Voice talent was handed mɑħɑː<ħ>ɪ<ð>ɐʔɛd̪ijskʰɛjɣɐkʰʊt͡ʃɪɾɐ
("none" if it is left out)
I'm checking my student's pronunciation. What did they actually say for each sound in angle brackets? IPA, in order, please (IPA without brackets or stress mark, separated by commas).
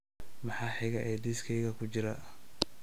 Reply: ħ, ɣ